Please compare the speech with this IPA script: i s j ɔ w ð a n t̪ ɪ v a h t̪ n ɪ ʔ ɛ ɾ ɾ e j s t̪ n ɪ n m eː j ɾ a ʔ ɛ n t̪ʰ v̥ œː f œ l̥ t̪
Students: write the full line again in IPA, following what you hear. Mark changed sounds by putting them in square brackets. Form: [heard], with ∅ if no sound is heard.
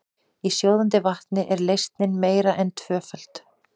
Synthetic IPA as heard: i s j [o] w ð a n t̪ ɪ v a h t̪ n ɪ ʔ ɛ ɾ [l] e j s t̪ n ɪ n m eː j ɾ a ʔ ɛ n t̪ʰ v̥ œː f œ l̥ t̪